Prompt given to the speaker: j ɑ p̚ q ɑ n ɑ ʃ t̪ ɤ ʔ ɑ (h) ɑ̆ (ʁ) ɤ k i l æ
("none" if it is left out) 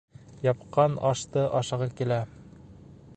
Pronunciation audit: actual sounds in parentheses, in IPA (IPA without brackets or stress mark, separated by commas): ʃ, ʁ